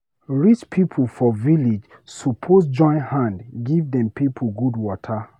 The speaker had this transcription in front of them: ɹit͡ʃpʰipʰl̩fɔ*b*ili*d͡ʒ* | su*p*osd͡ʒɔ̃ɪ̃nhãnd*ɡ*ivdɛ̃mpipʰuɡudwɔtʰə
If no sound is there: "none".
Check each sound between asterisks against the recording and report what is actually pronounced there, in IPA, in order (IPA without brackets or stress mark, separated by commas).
v, d͡ʒ, pʰ, ɡ